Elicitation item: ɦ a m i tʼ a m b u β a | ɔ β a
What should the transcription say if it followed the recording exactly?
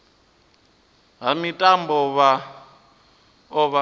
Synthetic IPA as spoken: ɦ a m i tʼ a m b ɔ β a | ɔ β a